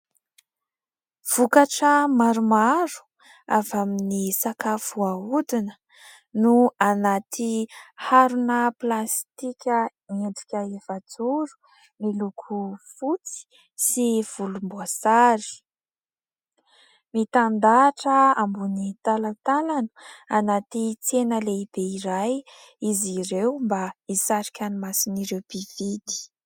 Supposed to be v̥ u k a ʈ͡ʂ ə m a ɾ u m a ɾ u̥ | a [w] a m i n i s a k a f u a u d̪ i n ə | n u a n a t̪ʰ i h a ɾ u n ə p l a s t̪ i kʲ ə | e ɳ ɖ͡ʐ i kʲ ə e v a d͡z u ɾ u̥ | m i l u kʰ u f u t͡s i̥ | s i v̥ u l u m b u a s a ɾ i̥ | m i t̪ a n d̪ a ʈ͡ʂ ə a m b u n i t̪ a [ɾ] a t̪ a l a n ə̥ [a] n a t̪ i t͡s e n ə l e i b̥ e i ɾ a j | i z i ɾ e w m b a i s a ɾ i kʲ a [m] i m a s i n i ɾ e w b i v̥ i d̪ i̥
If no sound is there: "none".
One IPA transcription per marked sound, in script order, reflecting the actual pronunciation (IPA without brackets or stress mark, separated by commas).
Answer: v, l, a, n